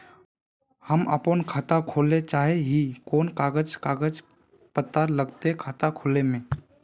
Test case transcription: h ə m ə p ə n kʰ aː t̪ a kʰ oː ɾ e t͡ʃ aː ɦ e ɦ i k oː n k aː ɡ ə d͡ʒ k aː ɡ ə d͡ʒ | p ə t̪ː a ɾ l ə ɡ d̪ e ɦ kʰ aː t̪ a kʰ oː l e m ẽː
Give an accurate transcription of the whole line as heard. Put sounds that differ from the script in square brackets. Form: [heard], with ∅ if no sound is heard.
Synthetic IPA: h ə m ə p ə n kʰ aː t̪ a kʰ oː [l] e t͡ʃ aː ɦ e ɦ i k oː n k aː ɡ ə d͡ʒ k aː ɡ ə d͡ʒ | p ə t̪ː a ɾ l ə ɡ [t̪] e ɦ kʰ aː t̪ a kʰ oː l e m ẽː